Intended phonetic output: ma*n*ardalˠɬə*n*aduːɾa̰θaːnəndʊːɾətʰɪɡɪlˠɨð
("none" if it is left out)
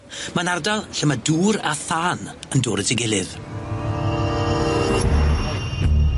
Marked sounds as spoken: n, m

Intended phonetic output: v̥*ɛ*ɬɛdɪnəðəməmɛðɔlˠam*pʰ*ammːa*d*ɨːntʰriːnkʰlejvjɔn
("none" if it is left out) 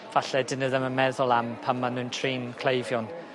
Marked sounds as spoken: a, pʰ, n

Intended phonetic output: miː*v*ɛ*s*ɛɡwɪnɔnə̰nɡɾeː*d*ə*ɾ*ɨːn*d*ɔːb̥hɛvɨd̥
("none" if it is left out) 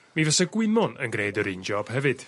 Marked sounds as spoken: v, s, d, ɾ, d͡ʒ

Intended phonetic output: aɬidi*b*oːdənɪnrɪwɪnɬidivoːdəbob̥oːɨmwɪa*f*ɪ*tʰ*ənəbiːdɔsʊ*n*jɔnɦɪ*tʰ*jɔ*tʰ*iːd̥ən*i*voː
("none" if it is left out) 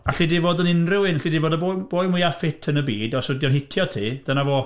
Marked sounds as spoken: v, f, tʰ, d, tʰ, tʰ, a

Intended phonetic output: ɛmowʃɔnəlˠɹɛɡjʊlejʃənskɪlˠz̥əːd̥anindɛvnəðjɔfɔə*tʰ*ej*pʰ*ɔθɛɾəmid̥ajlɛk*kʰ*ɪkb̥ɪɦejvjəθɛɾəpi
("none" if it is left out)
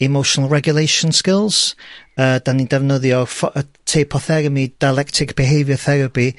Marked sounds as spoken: tʰ, pʰ, tʰ

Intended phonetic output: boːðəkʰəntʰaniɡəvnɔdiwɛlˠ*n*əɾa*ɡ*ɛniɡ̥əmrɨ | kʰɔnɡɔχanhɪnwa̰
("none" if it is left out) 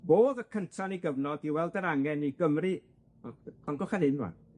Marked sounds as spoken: d, ŋ

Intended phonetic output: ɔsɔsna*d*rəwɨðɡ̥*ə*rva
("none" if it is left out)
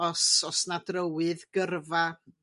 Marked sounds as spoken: d, ə

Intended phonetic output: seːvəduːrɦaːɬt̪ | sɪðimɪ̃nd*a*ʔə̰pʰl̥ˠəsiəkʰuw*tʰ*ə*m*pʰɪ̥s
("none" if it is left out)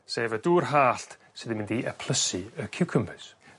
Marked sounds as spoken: i, kʰ, m

